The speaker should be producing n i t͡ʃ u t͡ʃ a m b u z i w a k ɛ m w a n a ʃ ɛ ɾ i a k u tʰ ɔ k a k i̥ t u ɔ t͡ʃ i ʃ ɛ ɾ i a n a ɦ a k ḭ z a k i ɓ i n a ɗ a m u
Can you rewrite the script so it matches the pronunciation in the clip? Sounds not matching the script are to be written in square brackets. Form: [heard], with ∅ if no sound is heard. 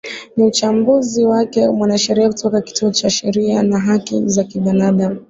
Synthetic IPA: n i [∅] u t͡ʃ a m b u z i w a k ɛ m w a n a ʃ ɛ ɾ i a k u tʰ ɔ k a k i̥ t u ɔ t͡ʃ [a] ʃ ɛ ɾ i a n a ɦ a k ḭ z a k i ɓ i n a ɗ a m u